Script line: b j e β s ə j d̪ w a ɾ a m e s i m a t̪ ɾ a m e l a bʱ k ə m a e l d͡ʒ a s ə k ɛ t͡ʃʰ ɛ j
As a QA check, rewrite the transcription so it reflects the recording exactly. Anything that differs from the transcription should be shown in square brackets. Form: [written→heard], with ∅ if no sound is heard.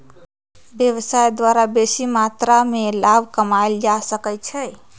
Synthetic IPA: b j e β s [ə→a] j d̪ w a ɾ a [m→b] e s i m a t̪ ɾ a m e l a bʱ k ə m a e l d͡ʒ a s ə k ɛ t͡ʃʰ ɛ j